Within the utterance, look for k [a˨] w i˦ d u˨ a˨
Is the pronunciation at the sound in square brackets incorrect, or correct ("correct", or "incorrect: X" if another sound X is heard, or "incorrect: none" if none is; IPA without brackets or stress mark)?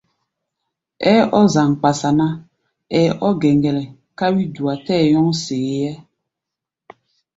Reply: incorrect: a˦